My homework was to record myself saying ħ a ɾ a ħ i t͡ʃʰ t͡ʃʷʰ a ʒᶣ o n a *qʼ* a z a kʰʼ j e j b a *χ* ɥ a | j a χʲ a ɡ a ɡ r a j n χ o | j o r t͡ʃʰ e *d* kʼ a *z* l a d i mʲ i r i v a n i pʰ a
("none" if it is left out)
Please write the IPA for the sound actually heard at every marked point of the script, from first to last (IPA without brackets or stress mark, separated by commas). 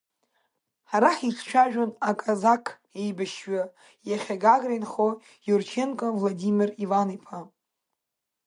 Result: kʼ, ʃ, n, v